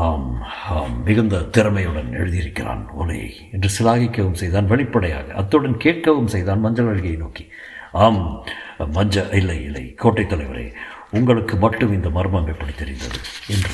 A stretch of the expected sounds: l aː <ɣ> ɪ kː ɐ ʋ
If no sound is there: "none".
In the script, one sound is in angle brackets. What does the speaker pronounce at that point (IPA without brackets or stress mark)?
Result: ɣ